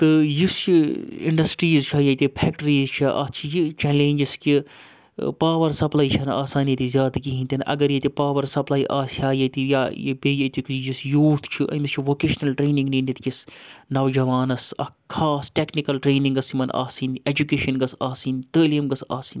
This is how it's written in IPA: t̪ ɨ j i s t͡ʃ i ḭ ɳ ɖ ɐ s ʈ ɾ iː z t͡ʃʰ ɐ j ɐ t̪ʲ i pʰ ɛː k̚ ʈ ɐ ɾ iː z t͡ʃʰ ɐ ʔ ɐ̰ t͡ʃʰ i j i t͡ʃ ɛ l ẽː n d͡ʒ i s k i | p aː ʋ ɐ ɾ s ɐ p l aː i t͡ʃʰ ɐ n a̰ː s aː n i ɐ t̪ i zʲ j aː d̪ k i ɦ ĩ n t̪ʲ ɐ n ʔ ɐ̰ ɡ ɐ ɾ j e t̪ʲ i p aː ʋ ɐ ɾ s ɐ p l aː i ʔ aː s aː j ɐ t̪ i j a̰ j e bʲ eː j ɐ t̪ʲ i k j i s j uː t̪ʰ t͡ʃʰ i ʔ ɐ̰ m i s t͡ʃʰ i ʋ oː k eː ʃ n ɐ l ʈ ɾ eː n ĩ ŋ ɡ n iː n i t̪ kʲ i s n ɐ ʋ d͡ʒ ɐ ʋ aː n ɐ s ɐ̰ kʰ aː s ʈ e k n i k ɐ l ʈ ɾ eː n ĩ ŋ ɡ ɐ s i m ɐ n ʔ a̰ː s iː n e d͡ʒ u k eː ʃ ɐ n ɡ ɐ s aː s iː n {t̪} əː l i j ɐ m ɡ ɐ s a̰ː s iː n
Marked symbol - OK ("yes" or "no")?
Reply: yes